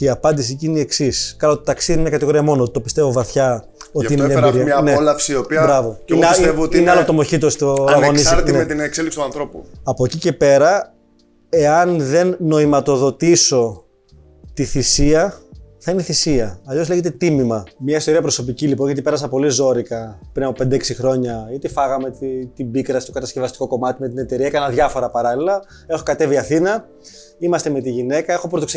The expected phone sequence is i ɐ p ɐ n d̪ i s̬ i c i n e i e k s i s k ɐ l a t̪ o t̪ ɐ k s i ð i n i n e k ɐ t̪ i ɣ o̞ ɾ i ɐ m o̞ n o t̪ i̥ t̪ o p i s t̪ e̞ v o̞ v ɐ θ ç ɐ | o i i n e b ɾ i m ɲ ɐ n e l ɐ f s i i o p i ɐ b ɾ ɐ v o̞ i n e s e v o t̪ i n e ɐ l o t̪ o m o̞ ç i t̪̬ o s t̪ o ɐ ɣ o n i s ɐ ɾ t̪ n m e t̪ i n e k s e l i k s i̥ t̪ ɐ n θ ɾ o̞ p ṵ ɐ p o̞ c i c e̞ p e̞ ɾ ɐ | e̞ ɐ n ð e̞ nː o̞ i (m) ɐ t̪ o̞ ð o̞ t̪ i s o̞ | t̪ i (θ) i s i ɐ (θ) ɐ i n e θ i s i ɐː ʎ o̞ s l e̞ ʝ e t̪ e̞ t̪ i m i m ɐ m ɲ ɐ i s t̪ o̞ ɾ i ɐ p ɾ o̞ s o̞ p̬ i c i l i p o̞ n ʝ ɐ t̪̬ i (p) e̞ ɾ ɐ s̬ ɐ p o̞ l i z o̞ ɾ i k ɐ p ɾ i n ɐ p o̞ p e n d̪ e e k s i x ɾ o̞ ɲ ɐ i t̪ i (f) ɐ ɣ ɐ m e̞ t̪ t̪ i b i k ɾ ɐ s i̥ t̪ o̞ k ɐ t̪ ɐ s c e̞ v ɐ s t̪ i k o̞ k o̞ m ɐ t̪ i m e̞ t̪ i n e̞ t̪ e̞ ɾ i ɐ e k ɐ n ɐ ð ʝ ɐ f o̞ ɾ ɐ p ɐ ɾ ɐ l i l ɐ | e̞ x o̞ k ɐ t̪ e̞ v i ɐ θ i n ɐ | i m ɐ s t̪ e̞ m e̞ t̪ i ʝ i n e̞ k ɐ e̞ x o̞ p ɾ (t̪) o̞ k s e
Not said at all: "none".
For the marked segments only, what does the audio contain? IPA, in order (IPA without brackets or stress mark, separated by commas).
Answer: m, θ, θ, p, f, t̪